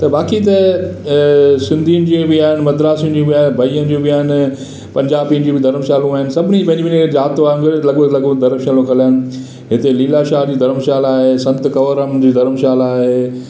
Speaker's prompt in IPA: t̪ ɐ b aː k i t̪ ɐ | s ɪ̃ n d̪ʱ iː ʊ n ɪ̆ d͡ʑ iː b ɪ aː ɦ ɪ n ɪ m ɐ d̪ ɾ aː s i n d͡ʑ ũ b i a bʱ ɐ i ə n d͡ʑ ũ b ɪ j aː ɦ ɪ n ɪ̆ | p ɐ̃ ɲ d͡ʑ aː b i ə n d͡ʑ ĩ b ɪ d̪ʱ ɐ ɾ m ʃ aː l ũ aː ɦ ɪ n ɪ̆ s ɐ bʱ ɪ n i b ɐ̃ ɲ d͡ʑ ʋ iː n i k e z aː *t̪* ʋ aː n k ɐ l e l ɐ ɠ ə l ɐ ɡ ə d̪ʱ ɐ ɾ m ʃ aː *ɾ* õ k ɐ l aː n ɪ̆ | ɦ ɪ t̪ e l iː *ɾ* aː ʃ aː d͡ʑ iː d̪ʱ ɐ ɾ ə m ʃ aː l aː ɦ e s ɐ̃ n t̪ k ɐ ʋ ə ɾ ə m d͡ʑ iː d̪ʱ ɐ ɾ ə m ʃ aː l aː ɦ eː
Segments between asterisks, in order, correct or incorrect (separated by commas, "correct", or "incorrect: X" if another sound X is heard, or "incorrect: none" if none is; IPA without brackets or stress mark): correct, incorrect: l, incorrect: l